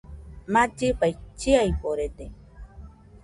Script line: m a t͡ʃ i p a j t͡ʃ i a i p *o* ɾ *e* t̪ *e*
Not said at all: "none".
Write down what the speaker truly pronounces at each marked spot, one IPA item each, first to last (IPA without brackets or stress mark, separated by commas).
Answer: o, e, e